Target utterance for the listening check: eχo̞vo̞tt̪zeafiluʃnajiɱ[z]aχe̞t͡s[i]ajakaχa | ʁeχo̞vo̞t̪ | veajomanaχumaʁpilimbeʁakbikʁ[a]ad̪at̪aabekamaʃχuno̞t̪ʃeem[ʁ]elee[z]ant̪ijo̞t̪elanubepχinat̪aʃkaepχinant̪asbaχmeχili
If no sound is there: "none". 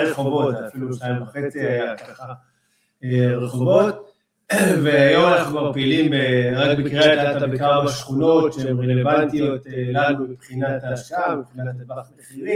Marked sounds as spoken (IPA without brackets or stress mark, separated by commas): v, i, e, ʁ, v